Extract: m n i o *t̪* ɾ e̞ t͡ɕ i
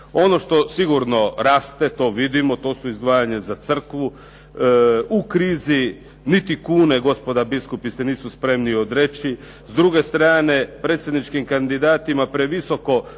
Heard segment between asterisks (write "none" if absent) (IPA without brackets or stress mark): d̪